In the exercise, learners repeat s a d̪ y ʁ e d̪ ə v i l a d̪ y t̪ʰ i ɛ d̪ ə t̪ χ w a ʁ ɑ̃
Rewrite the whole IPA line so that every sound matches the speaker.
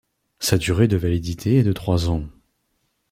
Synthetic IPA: s a d̪ y ʁ e d̪ ə v a l i d̪ i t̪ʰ e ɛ d̪ ə t̪ χ w a z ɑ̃